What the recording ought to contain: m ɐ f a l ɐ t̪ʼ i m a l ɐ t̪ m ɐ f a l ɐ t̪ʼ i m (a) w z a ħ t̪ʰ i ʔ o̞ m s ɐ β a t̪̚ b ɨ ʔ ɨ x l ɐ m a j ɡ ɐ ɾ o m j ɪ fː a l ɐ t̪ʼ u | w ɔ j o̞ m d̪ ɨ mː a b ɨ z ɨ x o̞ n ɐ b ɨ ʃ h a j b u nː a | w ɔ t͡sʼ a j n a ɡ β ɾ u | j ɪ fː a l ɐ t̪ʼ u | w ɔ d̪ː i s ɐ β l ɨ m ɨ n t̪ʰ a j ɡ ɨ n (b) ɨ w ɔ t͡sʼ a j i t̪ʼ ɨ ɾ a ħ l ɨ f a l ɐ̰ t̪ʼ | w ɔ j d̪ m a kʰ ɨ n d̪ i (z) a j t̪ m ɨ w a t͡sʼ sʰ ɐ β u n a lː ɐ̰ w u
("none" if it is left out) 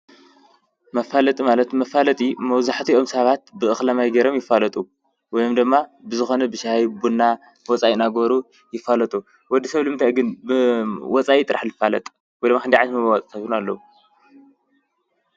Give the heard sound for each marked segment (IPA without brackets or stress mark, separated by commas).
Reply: ɐ, b, ʕ